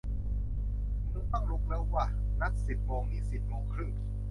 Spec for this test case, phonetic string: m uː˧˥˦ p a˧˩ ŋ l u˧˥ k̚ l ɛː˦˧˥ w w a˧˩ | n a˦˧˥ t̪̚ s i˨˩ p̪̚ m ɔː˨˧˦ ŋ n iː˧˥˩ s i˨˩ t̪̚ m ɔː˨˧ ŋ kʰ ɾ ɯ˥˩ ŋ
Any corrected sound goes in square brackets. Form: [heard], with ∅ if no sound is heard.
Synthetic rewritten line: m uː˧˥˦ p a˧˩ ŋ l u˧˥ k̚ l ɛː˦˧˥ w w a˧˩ | n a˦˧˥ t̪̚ s i˨˩ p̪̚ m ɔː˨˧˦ ŋ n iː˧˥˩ s i˨˩ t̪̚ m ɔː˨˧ ŋ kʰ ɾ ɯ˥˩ ŋ